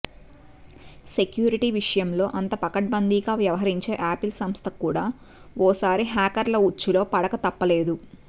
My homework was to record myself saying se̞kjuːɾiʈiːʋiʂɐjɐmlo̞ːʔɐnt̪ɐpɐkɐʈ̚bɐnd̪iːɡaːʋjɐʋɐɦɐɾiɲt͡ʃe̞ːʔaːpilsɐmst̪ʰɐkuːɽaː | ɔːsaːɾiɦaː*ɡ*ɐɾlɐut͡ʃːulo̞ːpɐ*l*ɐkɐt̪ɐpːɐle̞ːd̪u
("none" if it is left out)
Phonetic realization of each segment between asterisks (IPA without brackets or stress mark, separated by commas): k, ɽ